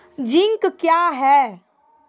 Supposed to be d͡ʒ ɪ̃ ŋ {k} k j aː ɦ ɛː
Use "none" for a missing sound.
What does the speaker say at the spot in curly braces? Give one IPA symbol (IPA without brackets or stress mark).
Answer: k